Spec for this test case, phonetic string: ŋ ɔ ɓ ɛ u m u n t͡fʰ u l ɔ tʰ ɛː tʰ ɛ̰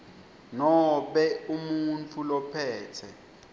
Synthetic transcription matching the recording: n ɔ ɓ ɛ u m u n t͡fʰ u l ɔ pʰ ɛː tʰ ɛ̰